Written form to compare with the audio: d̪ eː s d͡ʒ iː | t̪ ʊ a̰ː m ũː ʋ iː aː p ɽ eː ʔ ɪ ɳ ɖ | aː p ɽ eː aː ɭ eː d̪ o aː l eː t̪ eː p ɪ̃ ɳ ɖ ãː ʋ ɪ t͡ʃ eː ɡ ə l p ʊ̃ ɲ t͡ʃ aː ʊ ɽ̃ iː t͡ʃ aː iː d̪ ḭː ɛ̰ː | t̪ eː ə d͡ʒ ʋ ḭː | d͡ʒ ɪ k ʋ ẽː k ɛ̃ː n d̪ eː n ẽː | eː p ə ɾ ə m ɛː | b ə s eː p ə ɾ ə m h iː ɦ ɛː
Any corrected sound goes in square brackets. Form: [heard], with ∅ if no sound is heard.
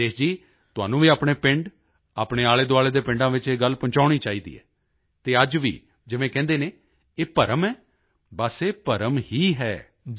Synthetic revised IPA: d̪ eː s d͡ʒ iː | t̪ ʊ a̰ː [n] ũː ʋ iː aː p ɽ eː [p] ɪ ɳ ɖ | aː p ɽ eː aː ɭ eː d̪ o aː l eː [d̪] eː p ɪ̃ ɳ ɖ ãː ʋ ɪ t͡ʃ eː ɡ ə l p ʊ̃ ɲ t͡ʃ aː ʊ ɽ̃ iː t͡ʃ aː iː d̪ ḭː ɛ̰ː | t̪ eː ə d͡ʒ ʋ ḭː | d͡ʒ ɪ [∅] ʋ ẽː k ɛ̃ː n d̪ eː n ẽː | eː p ə ɾ ə m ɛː | b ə s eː p ə ɾ ə m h iː ɦ ɛː